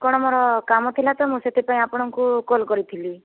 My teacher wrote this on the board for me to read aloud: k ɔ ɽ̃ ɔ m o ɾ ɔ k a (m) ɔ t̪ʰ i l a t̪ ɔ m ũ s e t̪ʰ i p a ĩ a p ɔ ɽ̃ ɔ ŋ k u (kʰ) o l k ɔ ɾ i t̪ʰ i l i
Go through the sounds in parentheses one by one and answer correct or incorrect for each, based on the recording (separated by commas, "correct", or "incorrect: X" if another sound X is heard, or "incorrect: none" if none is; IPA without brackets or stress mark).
correct, incorrect: k